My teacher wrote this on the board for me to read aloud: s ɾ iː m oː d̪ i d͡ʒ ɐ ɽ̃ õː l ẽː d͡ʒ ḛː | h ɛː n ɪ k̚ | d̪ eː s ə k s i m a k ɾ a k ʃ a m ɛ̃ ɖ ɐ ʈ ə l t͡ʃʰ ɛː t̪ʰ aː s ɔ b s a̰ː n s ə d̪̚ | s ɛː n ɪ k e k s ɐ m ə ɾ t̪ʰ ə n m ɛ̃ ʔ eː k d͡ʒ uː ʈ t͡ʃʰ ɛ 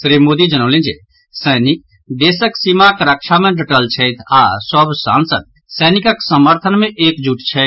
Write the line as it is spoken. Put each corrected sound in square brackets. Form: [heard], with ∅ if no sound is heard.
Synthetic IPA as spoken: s ɾ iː m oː d̪ i d͡ʒ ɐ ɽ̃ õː l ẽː d͡ʒ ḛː | [s] ɛː n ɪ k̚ | d̪ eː s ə k s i m a k ɾ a k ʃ a m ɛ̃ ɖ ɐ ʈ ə l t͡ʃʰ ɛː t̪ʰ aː s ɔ b s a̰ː n s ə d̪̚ | s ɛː n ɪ k [a] k s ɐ m ə ɾ t̪ʰ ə n m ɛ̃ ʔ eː k d͡ʒ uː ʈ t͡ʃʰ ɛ